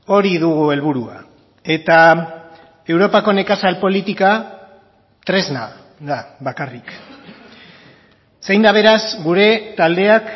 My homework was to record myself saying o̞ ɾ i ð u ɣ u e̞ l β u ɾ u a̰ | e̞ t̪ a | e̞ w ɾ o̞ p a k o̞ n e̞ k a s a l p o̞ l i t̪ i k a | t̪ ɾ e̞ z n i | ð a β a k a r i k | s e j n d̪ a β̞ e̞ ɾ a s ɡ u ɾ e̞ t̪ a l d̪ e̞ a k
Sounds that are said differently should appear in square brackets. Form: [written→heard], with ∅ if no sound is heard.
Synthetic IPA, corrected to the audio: o̞ ɾ i ð u ɣ u e̞ l β u ɾ u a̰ | e̞ t̪ a | e̞ w ɾ o̞ p a k o̞ n e̞ k a s a l p o̞ l i t̪ i k a | t̪ ɾ e̞ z n [i→a] | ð a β a k a r i k | s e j n d̪ a β̞ e̞ ɾ a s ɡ u ɾ e̞ t̪ a l d̪ e̞ a k

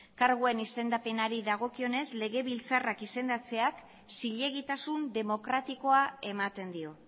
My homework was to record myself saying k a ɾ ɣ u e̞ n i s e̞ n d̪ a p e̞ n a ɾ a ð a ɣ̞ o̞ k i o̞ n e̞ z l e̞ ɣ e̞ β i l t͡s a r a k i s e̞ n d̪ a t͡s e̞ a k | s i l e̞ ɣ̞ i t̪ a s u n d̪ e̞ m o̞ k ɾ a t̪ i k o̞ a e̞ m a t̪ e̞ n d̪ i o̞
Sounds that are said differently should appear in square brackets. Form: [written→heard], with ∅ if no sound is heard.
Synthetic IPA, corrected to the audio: k a ɾ ɣ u e̞ n i s e̞ n d̪ a p e̞ n a ɾ [a→i] ð a ɣ̞ o̞ k i o̞ n e̞ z l e̞ ɣ e̞ β i l t͡s a r a k i s e̞ n d̪ a t͡s e̞ a k | s i [l→ʎ] e̞ ɣ̞ i t̪ a s u n d̪ e̞ m o̞ k ɾ a t̪ i k o̞ a e̞ m a t̪ e̞ n d̪ i o̞

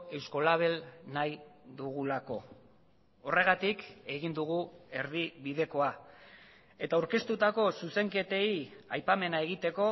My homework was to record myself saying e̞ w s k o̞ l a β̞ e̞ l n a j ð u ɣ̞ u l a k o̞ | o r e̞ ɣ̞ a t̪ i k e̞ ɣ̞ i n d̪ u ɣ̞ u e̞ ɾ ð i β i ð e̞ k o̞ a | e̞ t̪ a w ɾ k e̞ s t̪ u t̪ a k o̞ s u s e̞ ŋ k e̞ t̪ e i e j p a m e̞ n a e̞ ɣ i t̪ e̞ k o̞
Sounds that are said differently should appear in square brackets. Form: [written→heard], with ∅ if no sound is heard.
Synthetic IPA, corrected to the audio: e̞ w s k o̞ l a β̞ e̞ l n a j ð u ɣ̞ u l a k o̞ | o r e̞ ɣ̞ a t̪ i k e̞ ɣ̞ i n d̪ u ɣ̞ u e̞ ɾ ð i β i ð e̞ k o̞ a | e̞ t̪ a w ɾ k e̞ s t̪ u t̪ a k o̞ s u s e̞ ŋ k e̞ t̪ e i [e→a] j p a m e̞ n a e̞ ɣ i t̪ e̞ k o̞

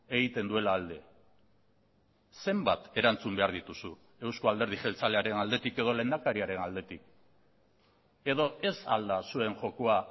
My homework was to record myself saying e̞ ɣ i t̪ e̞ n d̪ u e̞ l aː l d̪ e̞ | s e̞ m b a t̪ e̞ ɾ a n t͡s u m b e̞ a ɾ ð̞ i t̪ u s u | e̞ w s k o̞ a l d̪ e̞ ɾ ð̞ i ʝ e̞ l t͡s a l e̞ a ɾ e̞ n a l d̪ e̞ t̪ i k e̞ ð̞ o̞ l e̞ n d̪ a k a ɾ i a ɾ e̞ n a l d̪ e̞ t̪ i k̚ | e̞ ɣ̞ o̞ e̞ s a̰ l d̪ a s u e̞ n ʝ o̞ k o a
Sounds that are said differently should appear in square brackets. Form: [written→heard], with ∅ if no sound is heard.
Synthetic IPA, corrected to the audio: e̞ ɣ i t̪ e̞ n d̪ u e̞ l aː l d̪ e̞ | s e̞ m b a t̪ e̞ ɾ a n t͡s u m b e̞ a ɾ ð̞ i t̪ u s u | e̞ w s k o̞ a l d̪ e̞ ɾ ð̞ i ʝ e̞ l t͡s a l e̞ a ɾ e̞ n a l d̪ e̞ t̪ i k e̞ ð̞ o̞ l e̞ n d̪ a k a ɾ i a ɾ e̞ n a l d̪ e̞ t̪ i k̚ | e̞ [ɣ̞→ð̞] o̞ e̞ s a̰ l d̪ a s u e̞ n ʝ o̞ k o a

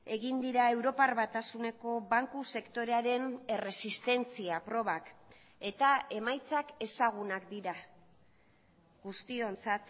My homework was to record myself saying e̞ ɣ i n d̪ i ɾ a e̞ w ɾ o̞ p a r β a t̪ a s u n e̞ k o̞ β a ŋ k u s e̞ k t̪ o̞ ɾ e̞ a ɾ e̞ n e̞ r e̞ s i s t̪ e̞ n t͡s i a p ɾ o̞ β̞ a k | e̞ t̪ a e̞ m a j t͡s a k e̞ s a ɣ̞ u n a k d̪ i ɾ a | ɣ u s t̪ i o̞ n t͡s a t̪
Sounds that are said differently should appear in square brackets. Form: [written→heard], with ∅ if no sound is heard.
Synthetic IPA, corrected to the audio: e̞ ɣ i n d̪ i ɾ a e̞ w ɾ o̞ p a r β a t̪ a s u n e̞ k o̞ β a ŋ k u s e̞ k t̪ o̞ ɾ e̞ a ɾ e̞ n e̞ r e̞ s i s t̪ e̞ n t͡s i a p ɾ o̞ β̞ a k | e̞ t̪ a e̞ m a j t͡s a k e̞ s a ɣ̞ u n a k d̪ i ɾ a | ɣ u s t̪ i o̞ n t͡s a t̪

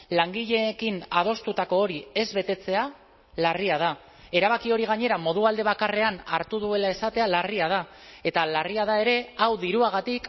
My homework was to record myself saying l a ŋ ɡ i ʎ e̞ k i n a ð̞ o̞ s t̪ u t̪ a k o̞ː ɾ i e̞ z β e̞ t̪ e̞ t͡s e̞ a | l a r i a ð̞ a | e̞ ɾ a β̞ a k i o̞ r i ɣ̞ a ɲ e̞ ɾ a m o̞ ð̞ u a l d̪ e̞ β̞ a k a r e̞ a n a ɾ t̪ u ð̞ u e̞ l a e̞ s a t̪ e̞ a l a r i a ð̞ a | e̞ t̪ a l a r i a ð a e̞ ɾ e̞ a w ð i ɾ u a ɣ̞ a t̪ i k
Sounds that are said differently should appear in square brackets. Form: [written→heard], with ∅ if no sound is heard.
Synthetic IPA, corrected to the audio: l a ŋ ɡ i ʎ e̞ k i n a ð̞ o̞ s t̪ u t̪ a k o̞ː ɾ i e̞ z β e̞ t̪ e̞ t͡s e̞ a | l a r i a ð̞ a | e̞ ɾ a β̞ a k i o̞ [r→ɾ] i ɣ̞ a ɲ e̞ ɾ a m o̞ ð̞ u a l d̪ e̞ β̞ a k a r e̞ a n a ɾ t̪ u ð̞ u e̞ l a e̞ s a t̪ e̞ a l a r i a ð̞ a | e̞ t̪ a l a r i a ð a e̞ ɾ e̞ a w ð i ɾ u a ɣ̞ a t̪ i k

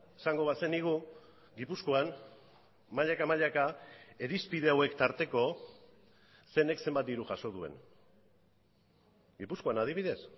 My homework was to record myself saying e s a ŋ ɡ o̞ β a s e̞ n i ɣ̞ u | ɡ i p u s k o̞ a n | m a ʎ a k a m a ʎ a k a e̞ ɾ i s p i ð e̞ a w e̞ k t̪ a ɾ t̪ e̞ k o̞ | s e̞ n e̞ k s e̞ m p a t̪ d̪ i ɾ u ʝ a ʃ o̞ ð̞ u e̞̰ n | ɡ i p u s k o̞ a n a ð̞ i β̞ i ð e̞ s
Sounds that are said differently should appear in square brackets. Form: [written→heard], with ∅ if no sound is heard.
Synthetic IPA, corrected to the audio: e s a ŋ ɡ o̞ β a s e̞ n i ɣ̞ u | ɡ i p u s k o̞ a n | m a ʎ a k a m a ʎ a k a e̞ ɾ i s p i ð e̞ a w e̞ k t̪ a ɾ t̪ e̞ k o̞ | s e̞ n e̞ k s e̞ m [p→b] a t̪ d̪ i ɾ u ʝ a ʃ o̞ ð̞ u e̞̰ n | ɡ i p u s k o̞ a n a ð̞ i β̞ i ð e̞ s

